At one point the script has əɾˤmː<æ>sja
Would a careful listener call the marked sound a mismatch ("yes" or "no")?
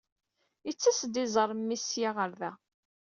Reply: yes